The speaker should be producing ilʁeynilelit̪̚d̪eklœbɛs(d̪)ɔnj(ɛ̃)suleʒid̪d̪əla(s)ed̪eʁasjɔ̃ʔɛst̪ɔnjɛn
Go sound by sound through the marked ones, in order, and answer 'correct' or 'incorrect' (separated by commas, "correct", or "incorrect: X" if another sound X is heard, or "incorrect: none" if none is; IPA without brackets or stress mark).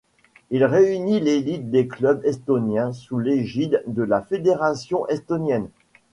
incorrect: t̪, correct, incorrect: f